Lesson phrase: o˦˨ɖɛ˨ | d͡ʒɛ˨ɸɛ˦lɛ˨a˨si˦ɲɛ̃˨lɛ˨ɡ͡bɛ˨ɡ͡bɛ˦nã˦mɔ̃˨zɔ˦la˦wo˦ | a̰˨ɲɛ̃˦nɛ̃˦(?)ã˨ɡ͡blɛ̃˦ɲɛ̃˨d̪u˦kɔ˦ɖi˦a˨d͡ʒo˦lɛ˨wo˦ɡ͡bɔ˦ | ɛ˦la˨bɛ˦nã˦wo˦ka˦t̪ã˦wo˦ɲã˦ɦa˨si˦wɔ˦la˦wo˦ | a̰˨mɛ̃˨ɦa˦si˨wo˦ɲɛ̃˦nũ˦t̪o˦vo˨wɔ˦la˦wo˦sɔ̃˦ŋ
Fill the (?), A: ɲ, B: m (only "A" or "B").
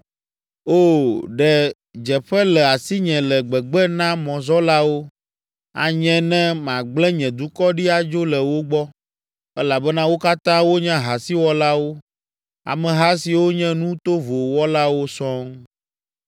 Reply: B